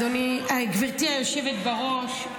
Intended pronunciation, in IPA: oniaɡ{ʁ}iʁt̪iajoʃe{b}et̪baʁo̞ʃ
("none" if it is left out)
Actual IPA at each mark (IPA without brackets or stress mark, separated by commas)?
v, v